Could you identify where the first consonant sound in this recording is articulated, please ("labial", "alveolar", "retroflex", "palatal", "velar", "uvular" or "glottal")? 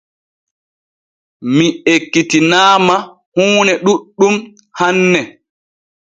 labial